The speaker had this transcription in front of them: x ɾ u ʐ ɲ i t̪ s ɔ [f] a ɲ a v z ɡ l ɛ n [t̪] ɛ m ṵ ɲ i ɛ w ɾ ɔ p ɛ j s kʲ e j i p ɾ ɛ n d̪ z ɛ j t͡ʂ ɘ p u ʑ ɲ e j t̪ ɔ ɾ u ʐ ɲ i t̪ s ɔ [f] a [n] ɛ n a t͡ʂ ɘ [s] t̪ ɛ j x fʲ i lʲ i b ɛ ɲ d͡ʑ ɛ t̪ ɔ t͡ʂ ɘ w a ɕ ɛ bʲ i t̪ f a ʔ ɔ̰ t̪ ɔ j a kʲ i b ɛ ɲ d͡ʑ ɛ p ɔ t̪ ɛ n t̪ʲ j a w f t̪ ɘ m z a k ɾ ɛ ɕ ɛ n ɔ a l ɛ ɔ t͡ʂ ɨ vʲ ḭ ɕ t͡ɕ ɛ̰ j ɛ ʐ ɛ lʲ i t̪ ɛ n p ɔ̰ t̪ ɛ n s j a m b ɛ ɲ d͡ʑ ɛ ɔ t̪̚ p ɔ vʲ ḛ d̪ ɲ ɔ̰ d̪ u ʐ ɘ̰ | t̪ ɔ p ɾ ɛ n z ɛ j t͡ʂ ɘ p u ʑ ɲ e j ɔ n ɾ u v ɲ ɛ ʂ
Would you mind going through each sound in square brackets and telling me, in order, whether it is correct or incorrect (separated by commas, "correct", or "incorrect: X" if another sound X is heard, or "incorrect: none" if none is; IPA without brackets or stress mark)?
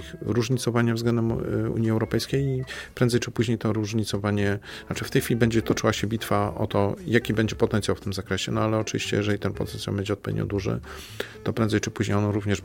incorrect: v, incorrect: d̪, incorrect: v, incorrect: ɲ, incorrect: f